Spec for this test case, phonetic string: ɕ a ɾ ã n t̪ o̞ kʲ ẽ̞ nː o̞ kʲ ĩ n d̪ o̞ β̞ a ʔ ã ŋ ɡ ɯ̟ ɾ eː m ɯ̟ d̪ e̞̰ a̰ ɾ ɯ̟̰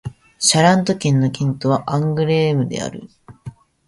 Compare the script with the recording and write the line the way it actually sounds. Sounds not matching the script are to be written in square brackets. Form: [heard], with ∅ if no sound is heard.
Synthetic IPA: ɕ a ɾ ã n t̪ o̞ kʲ ẽ̞ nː o̞ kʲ ĩ n [t̪] o̞ β̞ a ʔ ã ŋ ɡ ɯ̟ ɾ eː m ɯ̟ d̪ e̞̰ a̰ ɾ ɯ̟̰